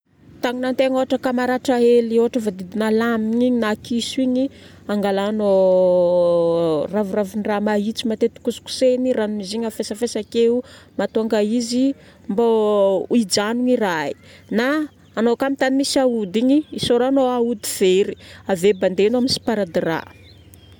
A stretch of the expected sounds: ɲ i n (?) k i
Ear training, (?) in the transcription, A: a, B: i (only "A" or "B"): A